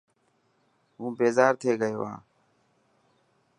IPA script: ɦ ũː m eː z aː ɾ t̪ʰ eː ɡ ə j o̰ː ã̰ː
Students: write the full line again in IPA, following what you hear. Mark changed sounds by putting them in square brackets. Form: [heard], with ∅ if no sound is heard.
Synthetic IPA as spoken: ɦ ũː [b] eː z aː ɾ t̪ʰ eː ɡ ə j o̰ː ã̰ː